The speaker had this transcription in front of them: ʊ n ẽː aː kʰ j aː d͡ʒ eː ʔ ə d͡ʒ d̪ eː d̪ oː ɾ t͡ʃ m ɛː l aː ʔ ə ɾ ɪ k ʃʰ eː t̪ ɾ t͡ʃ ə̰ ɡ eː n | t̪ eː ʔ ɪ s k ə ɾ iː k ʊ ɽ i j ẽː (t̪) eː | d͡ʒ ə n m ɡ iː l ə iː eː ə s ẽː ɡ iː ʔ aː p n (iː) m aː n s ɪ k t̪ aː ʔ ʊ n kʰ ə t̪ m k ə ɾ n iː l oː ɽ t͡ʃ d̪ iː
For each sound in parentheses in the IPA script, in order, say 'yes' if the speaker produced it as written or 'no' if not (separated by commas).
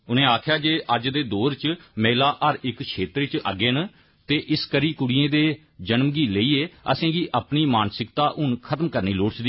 no, yes